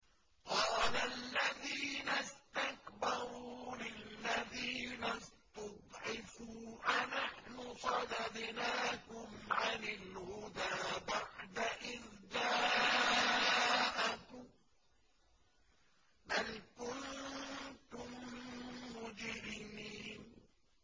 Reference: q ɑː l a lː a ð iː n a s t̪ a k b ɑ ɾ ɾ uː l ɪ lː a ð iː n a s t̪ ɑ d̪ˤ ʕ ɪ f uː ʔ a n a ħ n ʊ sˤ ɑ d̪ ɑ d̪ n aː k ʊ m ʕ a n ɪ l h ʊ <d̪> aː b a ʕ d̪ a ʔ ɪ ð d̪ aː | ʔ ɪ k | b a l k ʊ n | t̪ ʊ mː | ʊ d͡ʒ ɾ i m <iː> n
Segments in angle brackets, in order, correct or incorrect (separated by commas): correct, correct